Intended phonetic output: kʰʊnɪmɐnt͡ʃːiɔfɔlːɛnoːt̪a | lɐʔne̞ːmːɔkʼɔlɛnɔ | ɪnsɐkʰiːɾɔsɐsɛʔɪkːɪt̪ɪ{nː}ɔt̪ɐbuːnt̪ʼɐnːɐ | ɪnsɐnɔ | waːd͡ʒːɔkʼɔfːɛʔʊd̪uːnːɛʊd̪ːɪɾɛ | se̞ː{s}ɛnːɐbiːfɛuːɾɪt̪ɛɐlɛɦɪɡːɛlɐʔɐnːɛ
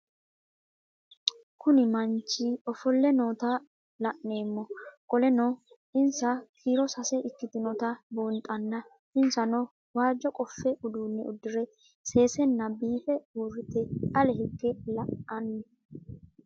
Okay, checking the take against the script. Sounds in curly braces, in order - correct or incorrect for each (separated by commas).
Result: incorrect, correct